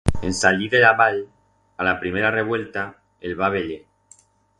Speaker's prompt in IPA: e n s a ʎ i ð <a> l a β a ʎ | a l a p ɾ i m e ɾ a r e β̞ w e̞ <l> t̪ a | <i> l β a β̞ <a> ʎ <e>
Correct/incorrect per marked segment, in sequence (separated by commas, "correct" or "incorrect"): incorrect, correct, incorrect, incorrect, correct